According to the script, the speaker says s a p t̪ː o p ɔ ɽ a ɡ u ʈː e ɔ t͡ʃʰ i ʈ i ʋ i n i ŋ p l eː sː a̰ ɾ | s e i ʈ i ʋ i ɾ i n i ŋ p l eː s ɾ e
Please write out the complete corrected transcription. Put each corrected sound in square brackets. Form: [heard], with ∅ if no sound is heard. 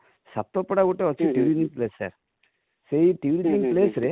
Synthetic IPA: s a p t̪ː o p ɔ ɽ a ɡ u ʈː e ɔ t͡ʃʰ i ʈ i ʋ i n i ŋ p l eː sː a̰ ɾ | s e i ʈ i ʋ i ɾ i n i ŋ p l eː s ɾ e